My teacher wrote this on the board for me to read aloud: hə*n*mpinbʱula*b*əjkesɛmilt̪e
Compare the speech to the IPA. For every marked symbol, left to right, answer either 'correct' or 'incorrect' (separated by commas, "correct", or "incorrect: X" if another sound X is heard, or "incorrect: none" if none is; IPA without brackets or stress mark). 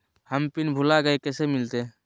incorrect: none, incorrect: ɡ